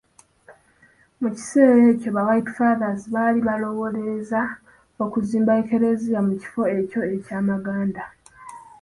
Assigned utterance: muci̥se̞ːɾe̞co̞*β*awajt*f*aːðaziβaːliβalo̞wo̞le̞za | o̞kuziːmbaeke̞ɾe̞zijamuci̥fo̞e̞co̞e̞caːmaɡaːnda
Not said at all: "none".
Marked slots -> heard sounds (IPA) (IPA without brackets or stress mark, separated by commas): β, f